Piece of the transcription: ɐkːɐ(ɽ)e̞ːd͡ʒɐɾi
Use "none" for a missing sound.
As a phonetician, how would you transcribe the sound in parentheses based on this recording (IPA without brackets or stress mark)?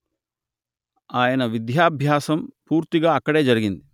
ɽ